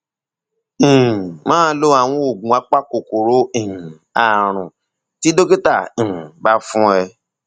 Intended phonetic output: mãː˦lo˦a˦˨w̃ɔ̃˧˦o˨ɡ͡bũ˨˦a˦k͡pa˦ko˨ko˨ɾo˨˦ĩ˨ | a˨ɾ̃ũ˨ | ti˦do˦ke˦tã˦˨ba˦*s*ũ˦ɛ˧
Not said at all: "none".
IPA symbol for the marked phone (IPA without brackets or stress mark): f